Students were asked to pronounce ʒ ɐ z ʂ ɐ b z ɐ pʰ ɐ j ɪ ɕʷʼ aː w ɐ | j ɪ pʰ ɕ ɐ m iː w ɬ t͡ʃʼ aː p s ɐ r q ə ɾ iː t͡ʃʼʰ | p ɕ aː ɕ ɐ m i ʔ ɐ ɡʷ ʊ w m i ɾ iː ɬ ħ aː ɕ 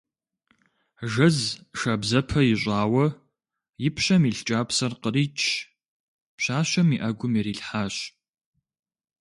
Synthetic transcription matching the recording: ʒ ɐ z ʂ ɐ b z ɐ pʰ ɐ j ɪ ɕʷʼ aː w ɐ | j ɪ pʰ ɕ ɐ m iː ɬ t͡ʃʼ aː p s ɐ r q ə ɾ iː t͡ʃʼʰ | p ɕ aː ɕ ɐ m i ʔ ɐ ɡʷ ʊ m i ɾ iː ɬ ħ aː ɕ